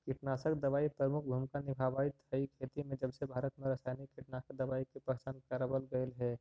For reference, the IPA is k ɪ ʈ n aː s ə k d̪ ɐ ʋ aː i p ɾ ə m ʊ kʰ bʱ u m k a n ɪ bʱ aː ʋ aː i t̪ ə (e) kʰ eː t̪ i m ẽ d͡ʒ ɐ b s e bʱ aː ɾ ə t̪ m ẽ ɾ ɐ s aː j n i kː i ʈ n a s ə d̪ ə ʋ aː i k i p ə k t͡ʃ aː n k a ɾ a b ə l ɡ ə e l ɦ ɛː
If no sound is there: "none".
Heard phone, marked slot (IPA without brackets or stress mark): i